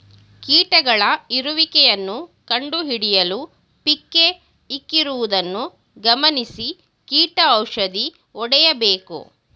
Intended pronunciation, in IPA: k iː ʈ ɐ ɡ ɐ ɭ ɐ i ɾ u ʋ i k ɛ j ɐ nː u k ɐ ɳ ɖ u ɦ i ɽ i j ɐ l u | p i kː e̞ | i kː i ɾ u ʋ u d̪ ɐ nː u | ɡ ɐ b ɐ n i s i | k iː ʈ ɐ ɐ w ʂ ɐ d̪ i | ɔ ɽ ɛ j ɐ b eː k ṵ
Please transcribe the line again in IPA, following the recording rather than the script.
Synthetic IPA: k iː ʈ ɐ ɡ ɐ ɭ ɐ i ɾ u ʋ i k ɛ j ɐ nː u k ɐ ɳ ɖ u ɦ i ɽ i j ɐ l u | p i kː e̞ | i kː i ɾ u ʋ u d̪ ɐ nː u | ɡ ɐ m ɐ n i s i | k iː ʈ ɐ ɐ w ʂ ɐ d̪ i | ɔ ɽ ɛ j ɐ b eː k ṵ

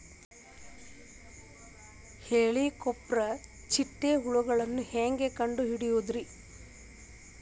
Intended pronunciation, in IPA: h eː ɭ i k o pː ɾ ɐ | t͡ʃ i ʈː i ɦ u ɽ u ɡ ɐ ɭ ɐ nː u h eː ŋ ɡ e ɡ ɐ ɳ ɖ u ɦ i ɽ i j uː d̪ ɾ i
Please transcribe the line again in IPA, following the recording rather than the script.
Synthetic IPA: h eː ɭ i k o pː ɾ ɐ | t͡ʃ i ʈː e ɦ u ɭ u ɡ ɐ ɭ ɐ nː u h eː ŋ ɡ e k ɐ ɳ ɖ u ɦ i ɽ i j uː d̪ ɾ i

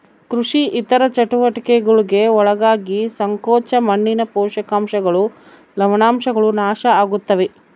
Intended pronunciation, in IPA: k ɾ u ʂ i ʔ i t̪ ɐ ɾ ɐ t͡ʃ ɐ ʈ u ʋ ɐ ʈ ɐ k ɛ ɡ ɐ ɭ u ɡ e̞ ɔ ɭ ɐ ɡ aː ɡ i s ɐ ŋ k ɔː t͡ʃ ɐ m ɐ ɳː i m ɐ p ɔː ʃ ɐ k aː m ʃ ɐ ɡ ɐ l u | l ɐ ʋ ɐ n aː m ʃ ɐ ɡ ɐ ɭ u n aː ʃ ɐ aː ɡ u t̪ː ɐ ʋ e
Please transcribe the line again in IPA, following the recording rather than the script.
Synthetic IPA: k ɾ u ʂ i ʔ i t̪ ɐ ɾ ɐ t͡ʃ ɐ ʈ u ʋ ɐ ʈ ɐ k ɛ ɡ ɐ ɭ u ɡ e̞ ɔ ɭ ɐ ɡ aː ɡ i s ɐ ŋ k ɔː t͡ʃ ɐ m ɐ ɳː i n ɐ p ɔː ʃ ɐ k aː m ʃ ɐ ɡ ɐ ɭ u | l ɐ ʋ ɐ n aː m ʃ ɐ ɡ ɐ ɭ u n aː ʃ ɐ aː ɡ u t̪ː ɐ ʋ e

